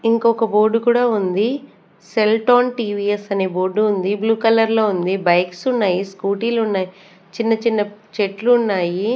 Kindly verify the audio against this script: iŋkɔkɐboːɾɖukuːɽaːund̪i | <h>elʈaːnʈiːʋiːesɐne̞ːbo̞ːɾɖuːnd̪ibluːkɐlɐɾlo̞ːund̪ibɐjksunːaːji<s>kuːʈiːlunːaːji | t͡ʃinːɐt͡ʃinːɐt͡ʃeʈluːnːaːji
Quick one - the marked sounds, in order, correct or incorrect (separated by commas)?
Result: incorrect, correct